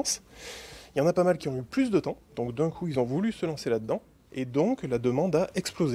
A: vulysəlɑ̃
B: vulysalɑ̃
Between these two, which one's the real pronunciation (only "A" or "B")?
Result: A